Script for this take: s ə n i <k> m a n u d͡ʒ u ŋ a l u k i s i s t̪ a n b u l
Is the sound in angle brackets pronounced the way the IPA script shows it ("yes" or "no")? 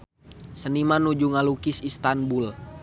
no